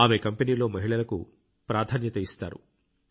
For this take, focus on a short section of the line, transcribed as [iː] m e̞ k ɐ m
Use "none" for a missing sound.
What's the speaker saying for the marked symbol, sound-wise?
aː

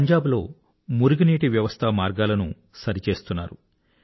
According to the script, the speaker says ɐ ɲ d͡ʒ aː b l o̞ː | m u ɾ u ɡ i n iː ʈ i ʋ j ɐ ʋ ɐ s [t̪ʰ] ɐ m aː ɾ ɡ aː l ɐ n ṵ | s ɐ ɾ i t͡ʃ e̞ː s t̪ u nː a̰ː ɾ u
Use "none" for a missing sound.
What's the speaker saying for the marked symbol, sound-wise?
t̪ʰ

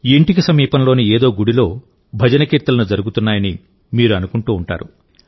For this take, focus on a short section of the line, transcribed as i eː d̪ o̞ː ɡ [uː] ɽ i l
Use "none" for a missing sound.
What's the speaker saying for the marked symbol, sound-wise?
u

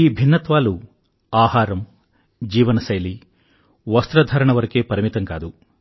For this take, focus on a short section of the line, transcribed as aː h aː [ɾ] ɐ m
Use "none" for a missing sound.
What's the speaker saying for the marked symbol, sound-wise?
ɾ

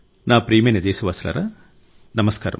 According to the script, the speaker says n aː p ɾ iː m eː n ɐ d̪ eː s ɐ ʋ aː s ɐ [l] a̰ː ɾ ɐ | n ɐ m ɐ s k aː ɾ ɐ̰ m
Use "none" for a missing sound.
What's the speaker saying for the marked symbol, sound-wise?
l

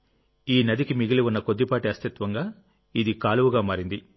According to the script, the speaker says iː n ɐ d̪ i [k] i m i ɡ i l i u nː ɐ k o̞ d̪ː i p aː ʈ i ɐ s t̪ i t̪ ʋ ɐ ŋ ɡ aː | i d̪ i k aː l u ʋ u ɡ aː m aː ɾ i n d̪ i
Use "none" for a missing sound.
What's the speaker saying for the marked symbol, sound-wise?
k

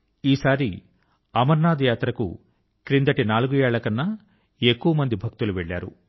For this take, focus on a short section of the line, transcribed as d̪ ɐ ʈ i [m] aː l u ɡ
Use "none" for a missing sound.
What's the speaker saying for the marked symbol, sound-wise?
n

